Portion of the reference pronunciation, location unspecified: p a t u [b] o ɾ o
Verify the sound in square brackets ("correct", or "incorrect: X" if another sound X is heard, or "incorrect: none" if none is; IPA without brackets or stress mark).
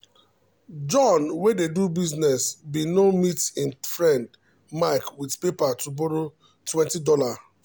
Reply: correct